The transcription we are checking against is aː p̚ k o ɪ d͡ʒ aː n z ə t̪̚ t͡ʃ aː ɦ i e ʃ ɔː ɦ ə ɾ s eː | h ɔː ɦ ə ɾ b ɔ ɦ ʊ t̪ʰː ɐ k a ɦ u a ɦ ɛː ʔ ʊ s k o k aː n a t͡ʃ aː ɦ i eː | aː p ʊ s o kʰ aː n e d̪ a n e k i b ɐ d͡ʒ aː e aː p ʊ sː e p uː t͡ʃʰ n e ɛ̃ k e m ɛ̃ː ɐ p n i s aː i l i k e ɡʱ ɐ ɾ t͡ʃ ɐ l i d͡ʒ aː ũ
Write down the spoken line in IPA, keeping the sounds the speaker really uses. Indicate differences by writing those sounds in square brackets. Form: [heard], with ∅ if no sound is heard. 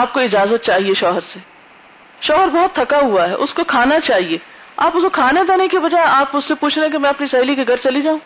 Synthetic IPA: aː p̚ k o ɪ d͡ʒ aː [∅] z ə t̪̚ t͡ʃ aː ɦ i e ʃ ɔː ɦ ə ɾ s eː | [ʃ] ɔː ɦ ə ɾ b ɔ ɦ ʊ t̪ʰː ɐ k a ɦ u a ɦ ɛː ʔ ʊ s k o [kʰ] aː n a t͡ʃ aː ɦ i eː | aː p ʊ s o kʰ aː n e d̪ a n e k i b ɐ d͡ʒ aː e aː p ʊ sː e p uː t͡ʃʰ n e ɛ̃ k e m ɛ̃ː ɐ p n i s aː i l i k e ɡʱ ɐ ɾ t͡ʃ ɐ l i d͡ʒ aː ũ